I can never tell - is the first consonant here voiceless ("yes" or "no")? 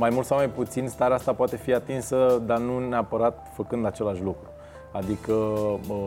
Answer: no